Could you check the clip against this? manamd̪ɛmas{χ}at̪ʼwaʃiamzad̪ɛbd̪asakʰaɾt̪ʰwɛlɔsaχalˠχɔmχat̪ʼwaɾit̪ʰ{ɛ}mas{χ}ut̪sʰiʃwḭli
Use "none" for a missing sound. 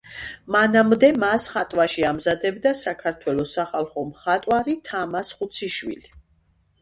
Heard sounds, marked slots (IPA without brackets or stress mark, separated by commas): χ, a, χ